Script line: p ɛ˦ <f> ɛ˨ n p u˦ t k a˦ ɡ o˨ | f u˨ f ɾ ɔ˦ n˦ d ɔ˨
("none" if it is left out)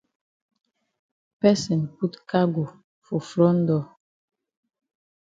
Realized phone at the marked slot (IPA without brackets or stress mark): s